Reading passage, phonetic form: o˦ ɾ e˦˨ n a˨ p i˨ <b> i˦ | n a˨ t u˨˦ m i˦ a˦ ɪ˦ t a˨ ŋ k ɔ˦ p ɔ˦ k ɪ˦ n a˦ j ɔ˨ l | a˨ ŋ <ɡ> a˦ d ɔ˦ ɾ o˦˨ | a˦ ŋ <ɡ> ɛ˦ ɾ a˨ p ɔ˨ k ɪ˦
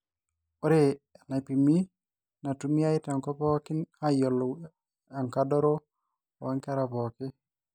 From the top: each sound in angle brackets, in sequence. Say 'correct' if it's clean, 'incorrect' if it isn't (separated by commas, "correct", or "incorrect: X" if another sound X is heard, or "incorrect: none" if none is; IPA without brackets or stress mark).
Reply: incorrect: m, incorrect: k, incorrect: k